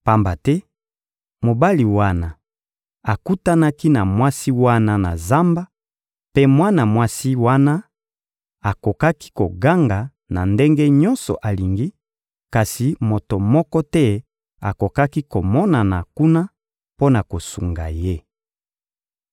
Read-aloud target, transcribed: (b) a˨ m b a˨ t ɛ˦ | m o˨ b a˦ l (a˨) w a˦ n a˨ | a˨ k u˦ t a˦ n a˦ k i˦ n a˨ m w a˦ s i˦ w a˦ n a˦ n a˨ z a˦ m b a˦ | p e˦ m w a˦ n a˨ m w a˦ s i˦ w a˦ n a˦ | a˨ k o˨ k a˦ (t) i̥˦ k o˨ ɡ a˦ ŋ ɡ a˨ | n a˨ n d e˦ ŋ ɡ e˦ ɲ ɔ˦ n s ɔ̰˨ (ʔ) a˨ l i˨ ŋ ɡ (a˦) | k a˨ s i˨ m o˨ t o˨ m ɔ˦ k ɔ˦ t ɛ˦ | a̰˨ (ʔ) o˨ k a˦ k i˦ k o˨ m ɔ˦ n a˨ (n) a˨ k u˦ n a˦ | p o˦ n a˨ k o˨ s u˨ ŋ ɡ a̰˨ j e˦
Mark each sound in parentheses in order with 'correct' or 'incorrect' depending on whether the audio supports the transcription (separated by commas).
incorrect, incorrect, incorrect, correct, incorrect, incorrect, correct